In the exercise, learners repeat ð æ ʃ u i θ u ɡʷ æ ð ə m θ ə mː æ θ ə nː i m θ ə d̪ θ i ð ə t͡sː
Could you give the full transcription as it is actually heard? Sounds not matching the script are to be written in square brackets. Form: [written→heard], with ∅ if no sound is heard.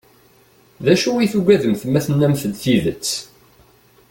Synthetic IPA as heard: ð æ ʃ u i θ u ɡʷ æ ð ə m θ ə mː æ θ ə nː [i→æ] m θ ə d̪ θ i ð ə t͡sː

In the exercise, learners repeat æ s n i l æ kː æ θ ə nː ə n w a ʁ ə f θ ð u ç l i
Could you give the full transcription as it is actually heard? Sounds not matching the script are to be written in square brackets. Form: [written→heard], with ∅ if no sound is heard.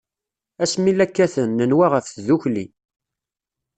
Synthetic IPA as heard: æ s [n→m] i l æ kː æ θ ə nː ə n w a ʁ ə f θ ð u ç l i

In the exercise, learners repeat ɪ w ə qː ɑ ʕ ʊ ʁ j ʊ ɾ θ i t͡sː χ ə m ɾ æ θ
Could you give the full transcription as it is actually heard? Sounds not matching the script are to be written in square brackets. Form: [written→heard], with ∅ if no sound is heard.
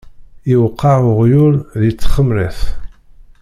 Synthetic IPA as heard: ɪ w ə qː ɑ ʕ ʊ ʁ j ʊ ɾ [θ→ð] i t͡sː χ ə m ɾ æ θ

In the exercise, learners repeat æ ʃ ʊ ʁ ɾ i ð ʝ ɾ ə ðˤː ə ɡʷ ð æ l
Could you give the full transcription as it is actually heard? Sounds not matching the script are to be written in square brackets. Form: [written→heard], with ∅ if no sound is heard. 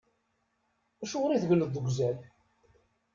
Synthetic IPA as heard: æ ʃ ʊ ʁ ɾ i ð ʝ [ɾ→l] ə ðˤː ə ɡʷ [ð→z] æ l

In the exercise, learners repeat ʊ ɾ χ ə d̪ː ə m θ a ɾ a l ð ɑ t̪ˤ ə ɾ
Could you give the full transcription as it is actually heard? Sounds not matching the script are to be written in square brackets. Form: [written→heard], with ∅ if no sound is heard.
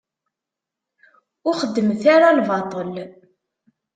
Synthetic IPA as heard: ʊ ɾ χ ə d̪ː ə m θ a ɾ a l [ð→v] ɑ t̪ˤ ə [ɾ→l]

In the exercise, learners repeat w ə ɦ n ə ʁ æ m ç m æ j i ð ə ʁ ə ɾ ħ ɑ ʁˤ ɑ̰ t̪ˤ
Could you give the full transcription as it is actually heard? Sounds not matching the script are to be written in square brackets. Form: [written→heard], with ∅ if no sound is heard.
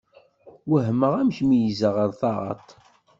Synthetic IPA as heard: w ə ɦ [n→m] ə ʁ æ m ç m [æ→i] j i [ð→z] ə ʁ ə ɾ [ħ→θ] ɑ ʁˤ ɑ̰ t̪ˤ

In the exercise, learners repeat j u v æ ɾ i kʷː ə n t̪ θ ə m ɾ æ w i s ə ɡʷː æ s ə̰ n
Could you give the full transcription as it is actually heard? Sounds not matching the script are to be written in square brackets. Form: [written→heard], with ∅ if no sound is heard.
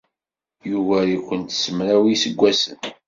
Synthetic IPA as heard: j u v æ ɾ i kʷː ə n t̪ [θ→s] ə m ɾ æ w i s ə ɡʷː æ s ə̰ n

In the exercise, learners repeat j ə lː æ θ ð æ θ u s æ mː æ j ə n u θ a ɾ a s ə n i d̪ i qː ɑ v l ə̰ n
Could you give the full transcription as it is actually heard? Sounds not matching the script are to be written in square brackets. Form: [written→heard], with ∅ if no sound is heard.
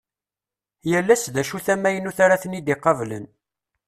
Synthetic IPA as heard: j ə lː æ [θ→s] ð æ [θ→ʃ] u [s→θ] æ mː æ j ə n u θ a ɾ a [s→θ] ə n i d̪ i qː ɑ v l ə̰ n

